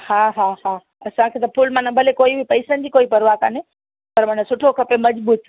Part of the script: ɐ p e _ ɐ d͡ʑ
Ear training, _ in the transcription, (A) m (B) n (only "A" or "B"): A